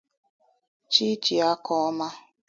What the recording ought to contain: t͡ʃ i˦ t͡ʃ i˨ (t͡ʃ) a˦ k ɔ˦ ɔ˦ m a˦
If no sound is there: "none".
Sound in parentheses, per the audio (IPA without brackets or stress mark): none